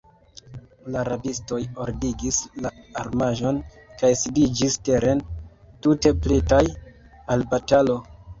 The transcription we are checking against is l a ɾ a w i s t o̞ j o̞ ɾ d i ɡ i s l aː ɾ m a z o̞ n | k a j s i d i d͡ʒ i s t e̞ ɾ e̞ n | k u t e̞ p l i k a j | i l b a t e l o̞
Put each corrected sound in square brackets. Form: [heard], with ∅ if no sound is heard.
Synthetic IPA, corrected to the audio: l a ɾ a [b] i s t o̞ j o̞ ɾ d i ɡ i s l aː ɾ m a [ʒ] o̞ n | k a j s i d i d͡ʒ i s t e̞ ɾ e̞ n | [t] u t e̞ p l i [t] a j | [a] l b a t [a] l o̞

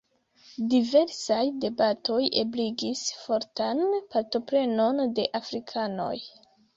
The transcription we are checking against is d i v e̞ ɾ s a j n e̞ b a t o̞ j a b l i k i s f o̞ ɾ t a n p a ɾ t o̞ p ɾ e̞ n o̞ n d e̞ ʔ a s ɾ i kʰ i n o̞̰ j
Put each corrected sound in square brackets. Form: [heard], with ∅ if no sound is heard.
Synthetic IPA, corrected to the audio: d i v e̞ ɾ s a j [d] e̞ b a t o̞ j [e] b l i [ɡ] i s f o̞ ɾ t a n p a ɾ t o̞ p ɾ e̞ n o̞ n d e̞ ʔ a [f] ɾ i kʰ [a] n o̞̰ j

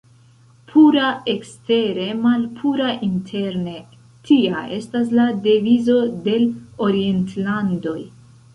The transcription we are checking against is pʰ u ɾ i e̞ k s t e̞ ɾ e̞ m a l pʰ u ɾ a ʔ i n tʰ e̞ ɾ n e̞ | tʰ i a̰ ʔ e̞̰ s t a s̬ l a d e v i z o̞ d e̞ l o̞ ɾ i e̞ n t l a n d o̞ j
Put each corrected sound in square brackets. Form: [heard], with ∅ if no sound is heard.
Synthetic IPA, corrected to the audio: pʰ u ɾ [a] e̞ k s t e̞ ɾ e̞ m a l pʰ u ɾ a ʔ i n tʰ e̞ ɾ n e̞ | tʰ i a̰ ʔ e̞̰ s t a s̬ l a d e v i z o̞ d e̞ l o̞ ɾ i e̞ n t l a n d o̞ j

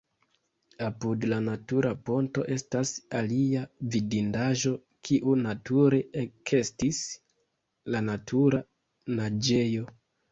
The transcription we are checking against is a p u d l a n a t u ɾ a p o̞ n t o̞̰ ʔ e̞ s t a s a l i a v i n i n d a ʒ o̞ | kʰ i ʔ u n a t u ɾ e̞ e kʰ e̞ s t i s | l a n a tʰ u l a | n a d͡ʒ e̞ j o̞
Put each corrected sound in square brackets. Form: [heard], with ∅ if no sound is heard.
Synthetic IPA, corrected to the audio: a p u d l a n a t u ɾ a p o̞ n t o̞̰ ʔ e̞ s t a s a l i a v i [d] i n d a ʒ o̞ | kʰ i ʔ u n a t u ɾ e̞ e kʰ e̞ s t i s | l a n a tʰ u [ɾ] a | n a d͡ʒ e̞ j o̞

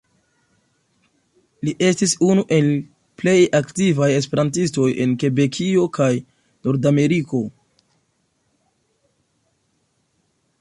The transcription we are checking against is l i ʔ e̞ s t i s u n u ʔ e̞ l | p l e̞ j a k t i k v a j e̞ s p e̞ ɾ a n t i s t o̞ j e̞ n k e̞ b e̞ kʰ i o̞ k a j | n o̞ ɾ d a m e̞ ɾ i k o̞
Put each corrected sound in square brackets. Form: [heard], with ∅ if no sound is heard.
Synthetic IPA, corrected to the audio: l i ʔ e̞ s t i s u n u ʔ e̞ l | p l e̞ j a k t i [∅] v a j e̞ s p e̞ ɾ a n t i s t o̞ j e̞ n k e̞ b e̞ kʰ i o̞ k a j | n o̞ ɾ d a m e̞ ɾ i k o̞

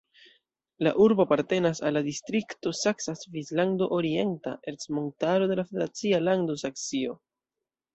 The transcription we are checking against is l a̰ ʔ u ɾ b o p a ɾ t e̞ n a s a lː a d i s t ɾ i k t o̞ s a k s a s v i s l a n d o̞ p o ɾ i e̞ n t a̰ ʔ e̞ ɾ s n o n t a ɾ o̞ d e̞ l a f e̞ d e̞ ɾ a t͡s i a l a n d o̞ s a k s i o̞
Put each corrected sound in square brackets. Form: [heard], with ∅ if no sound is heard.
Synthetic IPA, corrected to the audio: l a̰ ʔ u ɾ b o p a ɾ t e̞ n a s a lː a d i s t ɾ i k t o̞ s a k s a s v i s l a n d o̞ [ʔ] o ɾ i e̞ n t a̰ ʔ e̞ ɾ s [m] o n t a ɾ o̞ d e̞ l a f e̞ d e̞ ɾ a t͡s i a l a n d o̞ s a k s i o̞

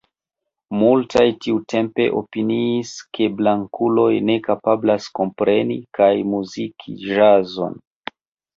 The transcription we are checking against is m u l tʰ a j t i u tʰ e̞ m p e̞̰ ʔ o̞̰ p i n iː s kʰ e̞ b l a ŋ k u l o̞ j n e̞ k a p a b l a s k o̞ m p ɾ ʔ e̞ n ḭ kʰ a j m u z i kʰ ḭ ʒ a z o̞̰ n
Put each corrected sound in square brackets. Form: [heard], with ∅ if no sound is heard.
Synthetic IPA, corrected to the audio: m u l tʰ a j t i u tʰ e̞ m p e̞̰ ʔ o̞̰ p i n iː s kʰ e̞ b l a ŋ k u l o̞ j n e̞ k a p a b l a s k o̞ m p ɾ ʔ e̞ n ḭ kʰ a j m u z i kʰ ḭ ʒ a z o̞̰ n

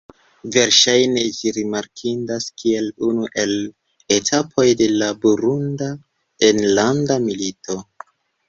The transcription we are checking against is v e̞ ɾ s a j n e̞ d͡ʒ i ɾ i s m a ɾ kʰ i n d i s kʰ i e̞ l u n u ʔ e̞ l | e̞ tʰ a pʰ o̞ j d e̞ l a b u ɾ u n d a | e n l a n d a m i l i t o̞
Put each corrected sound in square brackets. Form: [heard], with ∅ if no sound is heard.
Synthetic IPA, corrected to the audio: v e̞ ɾ [ʃ] a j n e̞ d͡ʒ i ɾ i [∅] m a ɾ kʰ i n d [a] s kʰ i e̞ l u n u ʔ e̞ l | e̞ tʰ a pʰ o̞ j d e̞ l a b u ɾ u n d a | e n l a n d a m i l i t o̞

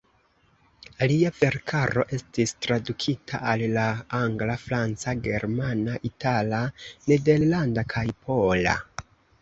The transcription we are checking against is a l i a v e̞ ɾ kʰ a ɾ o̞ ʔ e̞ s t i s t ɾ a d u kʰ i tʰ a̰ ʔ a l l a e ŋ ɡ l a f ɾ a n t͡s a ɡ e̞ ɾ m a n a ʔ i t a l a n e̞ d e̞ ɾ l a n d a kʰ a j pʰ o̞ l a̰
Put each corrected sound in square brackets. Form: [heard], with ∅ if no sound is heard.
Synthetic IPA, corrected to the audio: a l i a v e̞ ɾ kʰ a ɾ o̞ ʔ e̞ s t i s t ɾ a d u kʰ i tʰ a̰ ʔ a l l a [a] ŋ ɡ l a f ɾ a n t͡s a ɡ e̞ ɾ m a n a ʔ i t a l a n e̞ d e̞ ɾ l a n d a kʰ a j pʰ o̞ l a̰

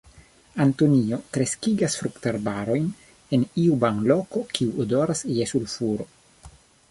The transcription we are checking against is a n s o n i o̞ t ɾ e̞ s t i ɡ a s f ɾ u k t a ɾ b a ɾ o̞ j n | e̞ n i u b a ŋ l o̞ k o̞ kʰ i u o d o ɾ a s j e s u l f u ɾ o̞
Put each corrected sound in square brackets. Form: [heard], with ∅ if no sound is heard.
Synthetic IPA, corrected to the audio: a n [t] o n i o̞ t ɾ e̞ s [k] i ɡ a s f ɾ u k t a ɾ b a ɾ o̞ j n | e̞ n i u b a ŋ l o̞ k o̞ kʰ i u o d o ɾ a s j e s u l f u ɾ o̞

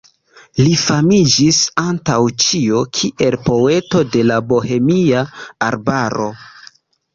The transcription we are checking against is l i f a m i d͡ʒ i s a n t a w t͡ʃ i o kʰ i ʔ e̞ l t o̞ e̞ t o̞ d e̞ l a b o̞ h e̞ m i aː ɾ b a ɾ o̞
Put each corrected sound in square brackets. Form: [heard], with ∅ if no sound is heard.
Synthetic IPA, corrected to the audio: l i f a m i d͡ʒ i s a n t a w t͡ʃ i o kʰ i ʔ e̞ l [p] o̞ e̞ t o̞ d e̞ l a b o̞ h e̞ m i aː ɾ b a ɾ o̞

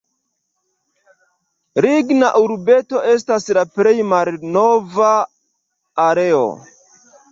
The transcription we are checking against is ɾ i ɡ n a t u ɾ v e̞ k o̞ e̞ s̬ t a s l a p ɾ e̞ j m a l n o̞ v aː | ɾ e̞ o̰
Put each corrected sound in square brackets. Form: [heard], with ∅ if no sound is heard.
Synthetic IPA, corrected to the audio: ɾ i ɡ n a [ʔ] u ɾ [b] e̞ [t] o̞ e̞ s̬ t a s l a p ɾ e̞ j m a l n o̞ v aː | ɾ e̞ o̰

